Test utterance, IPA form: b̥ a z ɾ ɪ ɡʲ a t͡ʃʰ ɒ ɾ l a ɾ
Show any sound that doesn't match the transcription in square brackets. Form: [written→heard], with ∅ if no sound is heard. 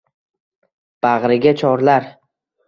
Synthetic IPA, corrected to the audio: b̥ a [z→ʁ] ɾ ɪ ɡʲ a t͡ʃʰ ɒ ɾ l a ɾ